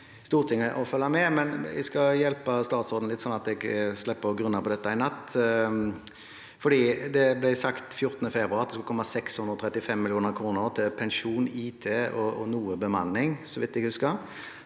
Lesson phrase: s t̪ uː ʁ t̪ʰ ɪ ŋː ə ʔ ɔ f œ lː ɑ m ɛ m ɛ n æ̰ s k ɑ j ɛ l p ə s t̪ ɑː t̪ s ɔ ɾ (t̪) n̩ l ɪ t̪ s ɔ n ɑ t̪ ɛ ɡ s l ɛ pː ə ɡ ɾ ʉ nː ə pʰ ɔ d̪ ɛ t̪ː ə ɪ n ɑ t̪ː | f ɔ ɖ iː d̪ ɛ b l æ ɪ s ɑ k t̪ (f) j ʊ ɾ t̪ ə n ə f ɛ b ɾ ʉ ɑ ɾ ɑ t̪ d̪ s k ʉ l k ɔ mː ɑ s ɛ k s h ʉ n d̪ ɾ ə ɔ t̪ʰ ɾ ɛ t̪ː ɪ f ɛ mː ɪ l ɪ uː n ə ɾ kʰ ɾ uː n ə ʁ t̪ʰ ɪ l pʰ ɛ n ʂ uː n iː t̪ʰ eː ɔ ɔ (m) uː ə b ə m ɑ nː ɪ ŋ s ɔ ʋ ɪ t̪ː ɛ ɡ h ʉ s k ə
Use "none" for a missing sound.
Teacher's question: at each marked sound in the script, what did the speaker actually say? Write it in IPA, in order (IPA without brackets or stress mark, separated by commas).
d̪, f, n